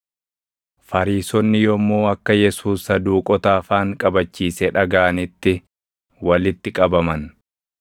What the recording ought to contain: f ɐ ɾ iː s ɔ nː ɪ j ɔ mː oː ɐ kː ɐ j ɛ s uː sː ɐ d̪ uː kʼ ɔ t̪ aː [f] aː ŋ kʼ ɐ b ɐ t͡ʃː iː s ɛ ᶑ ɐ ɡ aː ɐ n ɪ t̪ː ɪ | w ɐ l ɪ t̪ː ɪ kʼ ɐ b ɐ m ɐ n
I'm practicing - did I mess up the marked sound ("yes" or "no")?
no